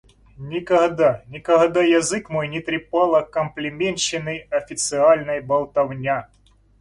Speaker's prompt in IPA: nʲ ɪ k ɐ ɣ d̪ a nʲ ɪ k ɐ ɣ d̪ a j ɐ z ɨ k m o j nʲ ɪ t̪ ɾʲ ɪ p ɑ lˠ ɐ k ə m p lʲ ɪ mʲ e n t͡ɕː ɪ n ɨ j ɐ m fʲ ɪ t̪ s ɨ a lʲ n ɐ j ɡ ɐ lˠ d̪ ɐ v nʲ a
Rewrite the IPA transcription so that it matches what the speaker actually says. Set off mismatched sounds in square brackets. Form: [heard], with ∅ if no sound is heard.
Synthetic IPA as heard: nʲ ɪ k ɐ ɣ d̪ a nʲ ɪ k ɐ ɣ d̪ a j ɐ z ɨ k m o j nʲ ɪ t̪ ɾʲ ɪ p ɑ lˠ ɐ k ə m p lʲ ɪ mʲ e n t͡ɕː ɪ n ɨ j ɐ [∅] fʲ ɪ t̪ s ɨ a lʲ n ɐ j [b] ɐ lˠ [t̪] ɐ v nʲ a